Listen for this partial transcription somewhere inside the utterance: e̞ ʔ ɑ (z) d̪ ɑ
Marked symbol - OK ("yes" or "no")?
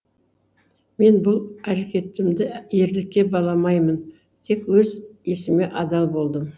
no